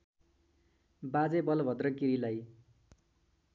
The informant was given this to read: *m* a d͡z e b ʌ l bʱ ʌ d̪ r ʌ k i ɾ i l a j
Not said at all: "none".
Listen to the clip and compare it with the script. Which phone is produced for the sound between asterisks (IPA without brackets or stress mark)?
b